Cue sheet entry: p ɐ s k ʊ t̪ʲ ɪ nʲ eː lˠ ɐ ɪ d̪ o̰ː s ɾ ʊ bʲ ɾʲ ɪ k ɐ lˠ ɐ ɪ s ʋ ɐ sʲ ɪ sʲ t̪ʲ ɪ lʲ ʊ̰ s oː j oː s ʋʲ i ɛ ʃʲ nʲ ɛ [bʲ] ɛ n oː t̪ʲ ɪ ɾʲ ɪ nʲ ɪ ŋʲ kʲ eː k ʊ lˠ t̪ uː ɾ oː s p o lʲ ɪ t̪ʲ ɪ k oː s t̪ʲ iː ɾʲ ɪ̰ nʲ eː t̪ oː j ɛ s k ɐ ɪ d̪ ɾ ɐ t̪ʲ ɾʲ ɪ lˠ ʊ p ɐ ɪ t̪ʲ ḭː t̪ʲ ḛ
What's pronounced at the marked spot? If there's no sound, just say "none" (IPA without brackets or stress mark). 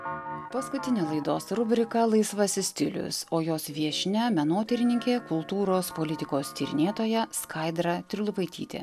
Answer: mʲ